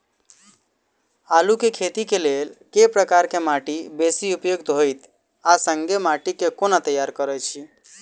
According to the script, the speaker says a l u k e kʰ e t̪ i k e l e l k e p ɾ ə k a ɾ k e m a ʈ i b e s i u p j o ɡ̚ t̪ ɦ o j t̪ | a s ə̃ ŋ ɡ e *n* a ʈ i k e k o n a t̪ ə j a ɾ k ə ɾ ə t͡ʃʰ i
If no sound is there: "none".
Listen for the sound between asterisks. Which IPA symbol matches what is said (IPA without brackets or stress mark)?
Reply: m